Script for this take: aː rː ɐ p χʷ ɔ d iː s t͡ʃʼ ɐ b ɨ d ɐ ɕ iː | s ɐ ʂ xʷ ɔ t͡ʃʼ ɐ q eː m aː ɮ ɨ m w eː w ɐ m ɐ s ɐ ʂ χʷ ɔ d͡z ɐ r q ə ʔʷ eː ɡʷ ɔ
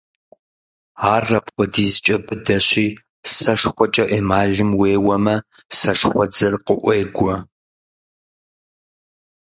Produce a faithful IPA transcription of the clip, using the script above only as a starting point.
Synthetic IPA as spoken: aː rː ɐ p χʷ ɔ d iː z t͡ʃʼ ɐ b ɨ d ɐ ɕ iː | s ɐ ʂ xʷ ɔ t͡ʃʼ ɐ ʔ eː m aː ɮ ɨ m w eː w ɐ m ɐ s ɐ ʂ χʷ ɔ d͡z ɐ r q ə ʔʷ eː ɡʷ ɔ